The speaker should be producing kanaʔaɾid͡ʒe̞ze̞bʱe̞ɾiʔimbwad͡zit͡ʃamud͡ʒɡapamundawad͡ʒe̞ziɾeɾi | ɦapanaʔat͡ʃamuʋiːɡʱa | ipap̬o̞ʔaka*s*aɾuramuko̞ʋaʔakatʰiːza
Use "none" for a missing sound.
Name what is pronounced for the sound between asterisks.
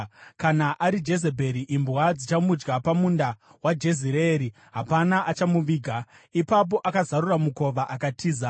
z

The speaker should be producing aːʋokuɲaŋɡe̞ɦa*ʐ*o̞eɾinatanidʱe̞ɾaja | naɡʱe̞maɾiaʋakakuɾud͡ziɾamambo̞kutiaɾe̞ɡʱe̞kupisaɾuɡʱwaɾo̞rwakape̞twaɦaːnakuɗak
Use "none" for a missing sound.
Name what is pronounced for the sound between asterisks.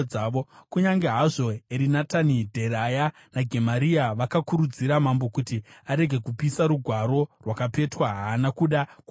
ʐ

